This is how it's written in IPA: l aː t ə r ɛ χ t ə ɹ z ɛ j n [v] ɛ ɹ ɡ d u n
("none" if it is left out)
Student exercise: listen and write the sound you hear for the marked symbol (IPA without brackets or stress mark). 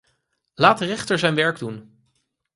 ʋ